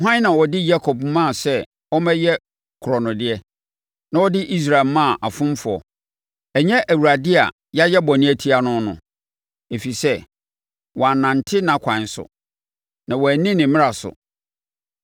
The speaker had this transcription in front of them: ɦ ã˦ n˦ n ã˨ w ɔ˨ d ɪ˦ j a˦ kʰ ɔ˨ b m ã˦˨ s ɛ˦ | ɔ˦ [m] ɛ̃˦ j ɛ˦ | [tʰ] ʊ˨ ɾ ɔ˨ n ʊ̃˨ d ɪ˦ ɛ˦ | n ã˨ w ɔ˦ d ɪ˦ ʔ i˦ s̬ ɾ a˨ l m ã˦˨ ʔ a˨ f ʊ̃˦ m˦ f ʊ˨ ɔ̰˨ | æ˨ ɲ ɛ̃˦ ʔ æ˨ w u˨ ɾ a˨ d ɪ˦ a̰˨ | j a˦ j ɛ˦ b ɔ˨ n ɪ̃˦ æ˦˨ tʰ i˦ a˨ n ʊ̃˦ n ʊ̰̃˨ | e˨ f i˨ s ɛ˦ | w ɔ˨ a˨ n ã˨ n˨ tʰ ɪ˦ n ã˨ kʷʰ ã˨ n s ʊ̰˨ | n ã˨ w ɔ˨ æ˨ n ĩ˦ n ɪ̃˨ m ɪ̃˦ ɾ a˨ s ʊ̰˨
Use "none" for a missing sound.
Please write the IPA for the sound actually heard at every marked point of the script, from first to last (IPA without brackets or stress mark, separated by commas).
m, kʰ